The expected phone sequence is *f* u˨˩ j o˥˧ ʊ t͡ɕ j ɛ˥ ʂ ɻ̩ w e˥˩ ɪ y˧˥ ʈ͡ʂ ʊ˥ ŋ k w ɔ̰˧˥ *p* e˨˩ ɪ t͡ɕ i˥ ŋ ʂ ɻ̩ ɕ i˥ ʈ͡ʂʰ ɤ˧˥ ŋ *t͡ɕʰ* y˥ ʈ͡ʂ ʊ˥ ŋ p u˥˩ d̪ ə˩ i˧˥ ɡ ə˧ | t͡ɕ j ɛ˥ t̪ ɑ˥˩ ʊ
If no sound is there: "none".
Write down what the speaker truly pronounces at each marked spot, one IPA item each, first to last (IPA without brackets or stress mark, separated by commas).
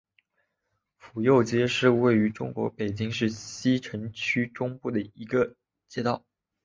f, p, t͡ɕʰ